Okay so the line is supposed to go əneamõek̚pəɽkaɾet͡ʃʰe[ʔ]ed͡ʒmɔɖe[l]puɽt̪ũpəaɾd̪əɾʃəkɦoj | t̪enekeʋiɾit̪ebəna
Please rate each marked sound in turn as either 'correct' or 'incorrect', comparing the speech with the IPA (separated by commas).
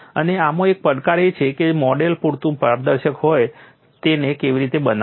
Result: incorrect, correct